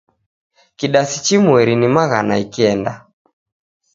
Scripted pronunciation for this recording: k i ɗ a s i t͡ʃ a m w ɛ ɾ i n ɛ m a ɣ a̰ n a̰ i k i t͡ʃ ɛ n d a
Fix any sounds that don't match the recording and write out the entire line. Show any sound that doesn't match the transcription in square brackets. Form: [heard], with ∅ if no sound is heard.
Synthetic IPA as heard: k i ɗ a s i t͡ʃ [i] m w ɛ ɾ i n [i] m a ɣ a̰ n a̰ i k i [∅] ɛ n d a